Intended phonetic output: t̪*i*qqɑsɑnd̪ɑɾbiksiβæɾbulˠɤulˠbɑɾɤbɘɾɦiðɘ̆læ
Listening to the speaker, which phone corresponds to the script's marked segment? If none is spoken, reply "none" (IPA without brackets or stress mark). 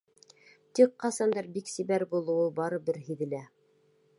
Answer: i